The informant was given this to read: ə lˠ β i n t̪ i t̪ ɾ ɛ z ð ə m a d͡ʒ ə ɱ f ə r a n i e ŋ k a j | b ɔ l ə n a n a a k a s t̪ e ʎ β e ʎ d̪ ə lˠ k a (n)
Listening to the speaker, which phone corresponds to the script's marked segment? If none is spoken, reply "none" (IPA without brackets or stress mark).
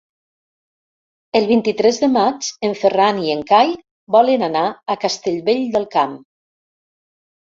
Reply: m